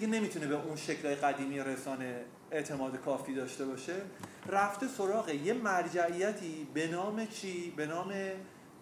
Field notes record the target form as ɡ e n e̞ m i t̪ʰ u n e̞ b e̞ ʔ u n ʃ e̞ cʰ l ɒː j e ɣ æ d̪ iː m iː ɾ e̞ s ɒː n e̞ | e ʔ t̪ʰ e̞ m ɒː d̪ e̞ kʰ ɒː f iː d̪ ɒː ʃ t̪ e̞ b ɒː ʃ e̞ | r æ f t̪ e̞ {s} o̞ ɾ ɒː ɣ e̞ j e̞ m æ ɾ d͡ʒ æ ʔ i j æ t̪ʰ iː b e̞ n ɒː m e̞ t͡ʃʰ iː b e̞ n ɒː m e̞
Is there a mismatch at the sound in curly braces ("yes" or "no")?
no